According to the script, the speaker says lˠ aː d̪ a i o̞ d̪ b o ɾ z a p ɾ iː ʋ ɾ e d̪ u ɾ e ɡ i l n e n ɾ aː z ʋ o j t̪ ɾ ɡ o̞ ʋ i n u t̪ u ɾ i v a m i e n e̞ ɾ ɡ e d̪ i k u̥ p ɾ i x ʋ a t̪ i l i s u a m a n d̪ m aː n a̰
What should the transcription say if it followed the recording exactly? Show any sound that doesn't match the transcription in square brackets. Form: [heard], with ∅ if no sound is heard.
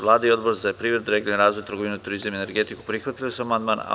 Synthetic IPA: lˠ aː d̪ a i o̞ d̪ b o ɾ z a p ɾ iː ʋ ɾ e d̪ u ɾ e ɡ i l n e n ɾ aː z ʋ o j t̪ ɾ ɡ o̞ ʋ i n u t̪ u ɾ i [z] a m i e n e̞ ɾ ɡ e [t̪] i k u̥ p ɾ i x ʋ a t̪ i l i s u a m a n d̪ m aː n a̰